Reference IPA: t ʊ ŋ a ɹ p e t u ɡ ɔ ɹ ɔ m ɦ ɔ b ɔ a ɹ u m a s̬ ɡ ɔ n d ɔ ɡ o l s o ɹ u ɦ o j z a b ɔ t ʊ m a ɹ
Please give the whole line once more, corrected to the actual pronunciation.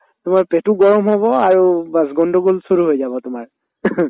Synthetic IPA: t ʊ m a ɹ p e t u ɡ ɔ ɹ ɔ m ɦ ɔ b ɔ a ɹ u b a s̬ ɡ ɔ n d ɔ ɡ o l s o ɹ u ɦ o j z a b ɔ t ʊ m a ɹ